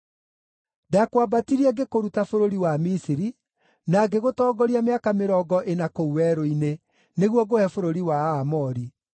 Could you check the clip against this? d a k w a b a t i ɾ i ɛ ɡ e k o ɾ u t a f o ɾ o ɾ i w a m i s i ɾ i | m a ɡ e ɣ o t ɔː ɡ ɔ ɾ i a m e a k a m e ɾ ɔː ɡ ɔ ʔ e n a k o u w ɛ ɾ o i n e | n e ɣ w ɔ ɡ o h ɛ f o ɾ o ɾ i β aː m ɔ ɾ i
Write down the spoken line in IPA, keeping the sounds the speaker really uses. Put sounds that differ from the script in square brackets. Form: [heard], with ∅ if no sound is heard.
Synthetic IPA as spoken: d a k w a b a t i ɾ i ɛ ɡ e k o ɾ u t a f o ɾ o ɾ i w a m i s i ɾ i | [n] a ɡ e ɣ o t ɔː ɡ ɔ ɾ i a m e a k a m e ɾ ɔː ɡ ɔ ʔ e n a k o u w ɛ ɾ o i n e | n e ɣ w ɔ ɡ o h ɛ f o ɾ o ɾ i [w] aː m ɔ ɾ i